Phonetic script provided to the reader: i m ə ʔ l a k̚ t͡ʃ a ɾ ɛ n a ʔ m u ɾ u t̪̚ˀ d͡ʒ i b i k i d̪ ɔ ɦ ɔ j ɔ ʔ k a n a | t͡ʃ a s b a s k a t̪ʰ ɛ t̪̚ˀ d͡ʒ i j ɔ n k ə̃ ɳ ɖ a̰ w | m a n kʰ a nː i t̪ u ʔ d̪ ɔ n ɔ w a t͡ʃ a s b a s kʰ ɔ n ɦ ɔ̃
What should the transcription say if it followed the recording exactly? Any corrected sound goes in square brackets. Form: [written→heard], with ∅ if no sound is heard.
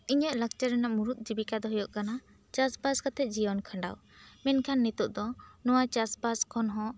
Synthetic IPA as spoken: i [m→ɲ] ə ʔ l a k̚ t͡ʃ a ɾ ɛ n a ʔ m u ɾ u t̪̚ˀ d͡ʒ i b i k [i→a] d̪ ɔ ɦ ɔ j ɔ ʔ k a n a | t͡ʃ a s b a s k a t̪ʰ ɛ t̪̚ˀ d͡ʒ i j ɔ n [k→kʰ] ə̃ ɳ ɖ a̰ w | m [a→ɛ] n kʰ a nː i t̪ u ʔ d̪ ɔ n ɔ w a t͡ʃ a s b a s kʰ ɔ n ɦ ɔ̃